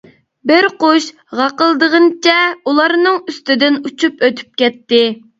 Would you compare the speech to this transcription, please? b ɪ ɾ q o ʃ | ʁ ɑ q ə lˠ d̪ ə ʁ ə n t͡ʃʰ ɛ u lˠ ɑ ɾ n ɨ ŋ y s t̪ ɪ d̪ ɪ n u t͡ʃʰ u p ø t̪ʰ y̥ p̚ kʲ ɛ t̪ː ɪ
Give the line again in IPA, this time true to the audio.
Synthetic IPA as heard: b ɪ ɾ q o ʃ | ʁ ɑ q ə lˠ d̪ ə ʁ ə n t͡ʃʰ ɛ u lˠ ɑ ɾ n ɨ ŋ y s t̪ ɪ d̪ ɪ n u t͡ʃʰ u p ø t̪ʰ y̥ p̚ kʲ ɛ t̪ː ɪ